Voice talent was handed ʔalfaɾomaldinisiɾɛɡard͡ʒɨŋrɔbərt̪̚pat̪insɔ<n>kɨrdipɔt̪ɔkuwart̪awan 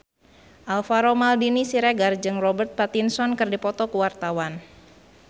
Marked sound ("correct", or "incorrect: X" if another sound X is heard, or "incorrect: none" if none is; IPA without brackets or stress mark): correct